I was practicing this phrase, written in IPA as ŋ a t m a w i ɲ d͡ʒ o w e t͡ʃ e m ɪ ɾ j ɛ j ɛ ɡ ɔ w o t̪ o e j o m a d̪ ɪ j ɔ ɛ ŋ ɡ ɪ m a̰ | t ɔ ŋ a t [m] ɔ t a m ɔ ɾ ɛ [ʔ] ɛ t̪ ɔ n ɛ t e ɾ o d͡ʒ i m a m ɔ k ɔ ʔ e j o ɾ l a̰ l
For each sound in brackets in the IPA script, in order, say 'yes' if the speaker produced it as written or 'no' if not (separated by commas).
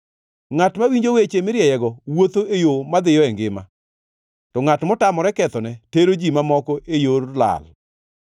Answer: yes, no